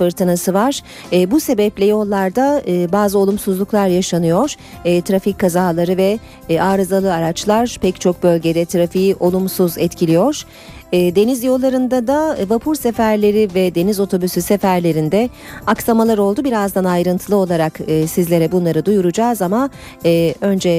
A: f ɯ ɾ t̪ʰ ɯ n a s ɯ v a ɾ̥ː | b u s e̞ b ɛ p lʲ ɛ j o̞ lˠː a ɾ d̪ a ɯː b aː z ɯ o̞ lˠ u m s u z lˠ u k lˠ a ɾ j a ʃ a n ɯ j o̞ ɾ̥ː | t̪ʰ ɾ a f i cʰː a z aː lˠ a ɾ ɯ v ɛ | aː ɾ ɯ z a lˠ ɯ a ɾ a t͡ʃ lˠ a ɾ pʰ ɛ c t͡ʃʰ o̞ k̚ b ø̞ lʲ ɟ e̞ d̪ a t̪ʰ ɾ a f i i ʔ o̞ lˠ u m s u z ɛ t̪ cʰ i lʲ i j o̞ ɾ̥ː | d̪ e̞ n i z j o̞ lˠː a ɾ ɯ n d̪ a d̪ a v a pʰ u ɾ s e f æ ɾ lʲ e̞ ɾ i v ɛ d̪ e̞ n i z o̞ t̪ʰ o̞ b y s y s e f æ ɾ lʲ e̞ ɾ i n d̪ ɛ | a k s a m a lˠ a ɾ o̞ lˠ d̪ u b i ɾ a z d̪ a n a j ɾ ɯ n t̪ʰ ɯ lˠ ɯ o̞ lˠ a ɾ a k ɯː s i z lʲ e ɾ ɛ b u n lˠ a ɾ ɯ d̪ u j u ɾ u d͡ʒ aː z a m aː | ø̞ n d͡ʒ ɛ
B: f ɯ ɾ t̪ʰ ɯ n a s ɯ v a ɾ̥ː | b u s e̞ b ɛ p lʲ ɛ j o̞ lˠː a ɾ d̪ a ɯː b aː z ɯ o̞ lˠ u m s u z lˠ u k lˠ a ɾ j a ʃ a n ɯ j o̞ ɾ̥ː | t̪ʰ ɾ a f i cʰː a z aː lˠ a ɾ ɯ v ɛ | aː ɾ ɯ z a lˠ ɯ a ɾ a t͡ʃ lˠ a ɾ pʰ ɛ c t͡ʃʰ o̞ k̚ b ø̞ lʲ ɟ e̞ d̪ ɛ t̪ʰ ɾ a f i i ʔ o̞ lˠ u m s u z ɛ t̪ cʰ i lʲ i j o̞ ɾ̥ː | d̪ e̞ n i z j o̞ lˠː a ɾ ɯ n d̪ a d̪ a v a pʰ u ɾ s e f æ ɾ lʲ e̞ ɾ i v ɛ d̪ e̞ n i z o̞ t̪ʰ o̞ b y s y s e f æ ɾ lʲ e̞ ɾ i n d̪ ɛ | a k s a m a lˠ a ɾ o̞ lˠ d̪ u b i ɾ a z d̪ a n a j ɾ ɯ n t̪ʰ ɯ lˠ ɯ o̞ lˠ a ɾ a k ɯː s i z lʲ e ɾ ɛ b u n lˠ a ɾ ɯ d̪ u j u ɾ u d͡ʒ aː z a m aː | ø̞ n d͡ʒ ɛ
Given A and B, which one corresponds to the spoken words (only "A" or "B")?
B